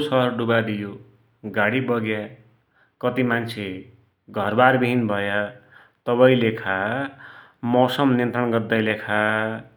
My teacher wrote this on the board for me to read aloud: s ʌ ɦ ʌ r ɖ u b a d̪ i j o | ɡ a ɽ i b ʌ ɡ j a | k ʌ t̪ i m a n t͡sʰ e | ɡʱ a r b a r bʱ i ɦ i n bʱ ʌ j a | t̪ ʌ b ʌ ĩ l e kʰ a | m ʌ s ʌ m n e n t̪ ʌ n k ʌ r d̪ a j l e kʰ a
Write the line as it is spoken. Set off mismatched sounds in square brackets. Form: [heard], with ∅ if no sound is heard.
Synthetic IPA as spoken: s ʌ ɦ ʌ r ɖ u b a d̪ i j o | ɡ a ɽ i b ʌ ɡ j a | k ʌ t̪ i m a n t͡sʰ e | ɡʱ [ʌ] r b a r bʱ i ɦ i n bʱ ʌ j a | t̪ ʌ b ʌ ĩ l e kʰ a | m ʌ s ʌ m n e n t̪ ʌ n [ɡ] ʌ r d̪ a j l e kʰ a